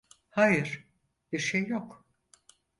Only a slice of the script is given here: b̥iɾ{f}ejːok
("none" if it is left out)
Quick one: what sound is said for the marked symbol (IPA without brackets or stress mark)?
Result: ʃ